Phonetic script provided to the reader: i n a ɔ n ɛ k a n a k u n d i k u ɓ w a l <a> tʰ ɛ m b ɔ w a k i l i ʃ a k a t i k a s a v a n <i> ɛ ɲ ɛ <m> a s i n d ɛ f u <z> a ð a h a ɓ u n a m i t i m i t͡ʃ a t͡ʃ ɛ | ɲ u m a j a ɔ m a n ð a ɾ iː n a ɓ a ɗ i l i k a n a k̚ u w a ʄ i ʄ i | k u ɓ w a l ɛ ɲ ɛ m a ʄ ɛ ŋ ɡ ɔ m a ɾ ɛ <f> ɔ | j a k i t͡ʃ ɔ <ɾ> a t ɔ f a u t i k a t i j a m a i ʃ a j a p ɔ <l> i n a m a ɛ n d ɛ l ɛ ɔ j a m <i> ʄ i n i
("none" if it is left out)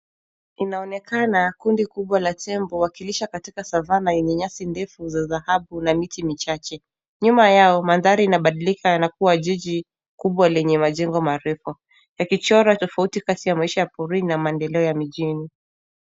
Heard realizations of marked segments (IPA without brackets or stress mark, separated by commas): a, a, ɲ, z, f, ɾ, ɾ, i